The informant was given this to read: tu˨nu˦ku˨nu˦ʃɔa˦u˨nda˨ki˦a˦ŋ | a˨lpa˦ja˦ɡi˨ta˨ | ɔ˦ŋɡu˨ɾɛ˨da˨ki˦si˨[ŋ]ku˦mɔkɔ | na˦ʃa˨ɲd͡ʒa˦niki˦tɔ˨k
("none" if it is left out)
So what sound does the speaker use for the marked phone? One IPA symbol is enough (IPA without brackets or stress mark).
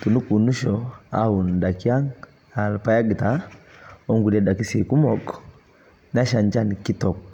none